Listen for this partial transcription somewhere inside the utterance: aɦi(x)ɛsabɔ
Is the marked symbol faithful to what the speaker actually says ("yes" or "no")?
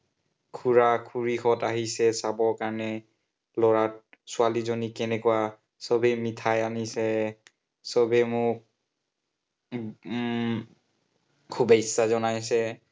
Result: no